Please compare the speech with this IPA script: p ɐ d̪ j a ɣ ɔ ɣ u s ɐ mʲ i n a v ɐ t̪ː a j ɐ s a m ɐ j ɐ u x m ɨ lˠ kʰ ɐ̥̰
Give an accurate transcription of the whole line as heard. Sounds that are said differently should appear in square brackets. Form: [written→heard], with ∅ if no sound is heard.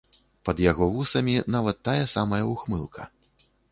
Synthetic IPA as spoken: p ɐ d̪ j a ɣ ɔ [ɣ→v] u s ɐ mʲ i n a v ɐ t̪ː a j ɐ s a m ɐ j ɐ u x m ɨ lˠ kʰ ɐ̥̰